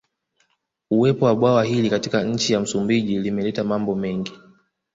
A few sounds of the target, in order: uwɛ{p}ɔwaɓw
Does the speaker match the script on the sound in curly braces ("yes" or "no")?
yes